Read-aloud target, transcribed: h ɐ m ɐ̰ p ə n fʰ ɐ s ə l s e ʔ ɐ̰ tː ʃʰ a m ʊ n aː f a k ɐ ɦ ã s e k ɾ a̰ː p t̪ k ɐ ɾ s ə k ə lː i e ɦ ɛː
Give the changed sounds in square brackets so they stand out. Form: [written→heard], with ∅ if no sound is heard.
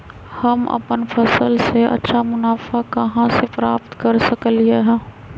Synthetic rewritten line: h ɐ m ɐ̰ p ə n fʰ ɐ s ə l s e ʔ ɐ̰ tː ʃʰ a m ʊ n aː f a k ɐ ɦ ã s e [k→p] ɾ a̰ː p t̪ k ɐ ɾ s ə k ə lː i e ɦ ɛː

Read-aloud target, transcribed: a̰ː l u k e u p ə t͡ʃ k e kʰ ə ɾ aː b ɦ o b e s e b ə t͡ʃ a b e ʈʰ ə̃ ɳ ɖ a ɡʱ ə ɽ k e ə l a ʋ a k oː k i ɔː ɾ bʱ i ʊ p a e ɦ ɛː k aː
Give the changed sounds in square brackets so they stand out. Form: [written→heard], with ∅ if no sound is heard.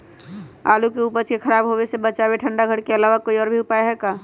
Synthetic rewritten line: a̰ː l u k e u p ə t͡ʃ k e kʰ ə ɾ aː b ɦ o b e s e b ə t͡ʃ a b e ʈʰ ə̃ ɳ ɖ a ɡʱ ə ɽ k e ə l a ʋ a k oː [k→∅] i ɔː ɾ bʱ i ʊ p a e ɦ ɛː k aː

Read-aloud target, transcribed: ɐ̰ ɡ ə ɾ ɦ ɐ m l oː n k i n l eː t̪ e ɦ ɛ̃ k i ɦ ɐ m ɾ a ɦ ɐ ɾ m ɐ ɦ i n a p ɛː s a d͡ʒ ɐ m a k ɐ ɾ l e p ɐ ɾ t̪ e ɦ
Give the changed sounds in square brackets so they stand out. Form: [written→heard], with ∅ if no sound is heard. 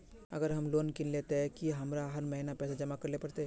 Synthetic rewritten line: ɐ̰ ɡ ə ɾ ɦ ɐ m l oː n k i n l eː t̪ e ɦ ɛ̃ k i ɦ ɐ m ɾ a ɦ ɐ ɾ m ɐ ɦ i n a p ɛː s a d͡ʒ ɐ m a k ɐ ɾ l e p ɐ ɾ t̪ e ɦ

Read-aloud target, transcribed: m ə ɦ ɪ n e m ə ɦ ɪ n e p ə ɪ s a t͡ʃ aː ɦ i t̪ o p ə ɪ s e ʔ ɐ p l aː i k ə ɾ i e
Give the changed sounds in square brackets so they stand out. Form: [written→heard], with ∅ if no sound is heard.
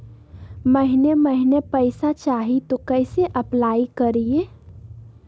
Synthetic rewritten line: m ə ɦ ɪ n e m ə ɦ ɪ n e p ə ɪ s a t͡ʃ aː ɦ i t̪ o [p→k] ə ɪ s e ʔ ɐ p l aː i k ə ɾ i e

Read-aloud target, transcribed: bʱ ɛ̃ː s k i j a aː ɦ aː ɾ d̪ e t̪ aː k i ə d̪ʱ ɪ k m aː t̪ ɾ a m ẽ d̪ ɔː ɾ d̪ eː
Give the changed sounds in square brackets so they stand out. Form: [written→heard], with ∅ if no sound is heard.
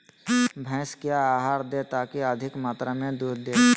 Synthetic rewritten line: bʱ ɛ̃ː s k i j a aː ɦ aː ɾ d̪ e t̪ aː k i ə d̪ʱ ɪ k m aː t̪ ɾ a m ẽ d̪ [ɔː→uː] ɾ d̪ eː

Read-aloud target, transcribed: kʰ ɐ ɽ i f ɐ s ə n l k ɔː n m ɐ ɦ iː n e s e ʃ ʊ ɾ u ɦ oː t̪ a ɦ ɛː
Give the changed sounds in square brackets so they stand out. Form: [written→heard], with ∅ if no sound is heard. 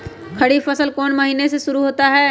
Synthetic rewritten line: kʰ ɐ ɽ i f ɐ s ə [n→∅] l k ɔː n m ɐ ɦ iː n e s e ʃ ʊ ɾ u ɦ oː t̪ a ɦ ɛː

